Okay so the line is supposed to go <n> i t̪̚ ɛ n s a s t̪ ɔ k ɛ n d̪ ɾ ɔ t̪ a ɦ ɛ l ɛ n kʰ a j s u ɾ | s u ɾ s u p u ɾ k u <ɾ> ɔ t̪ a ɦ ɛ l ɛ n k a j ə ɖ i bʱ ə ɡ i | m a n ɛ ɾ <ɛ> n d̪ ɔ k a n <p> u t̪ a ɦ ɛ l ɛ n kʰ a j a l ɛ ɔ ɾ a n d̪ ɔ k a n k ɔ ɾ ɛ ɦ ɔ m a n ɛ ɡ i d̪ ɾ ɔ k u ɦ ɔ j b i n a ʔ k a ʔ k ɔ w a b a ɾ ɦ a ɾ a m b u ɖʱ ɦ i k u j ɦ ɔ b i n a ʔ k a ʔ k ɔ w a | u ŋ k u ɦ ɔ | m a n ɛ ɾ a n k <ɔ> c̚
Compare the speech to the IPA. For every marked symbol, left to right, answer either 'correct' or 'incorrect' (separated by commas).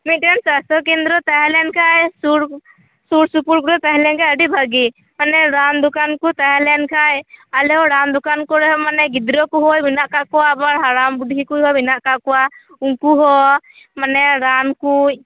incorrect, correct, incorrect, incorrect, incorrect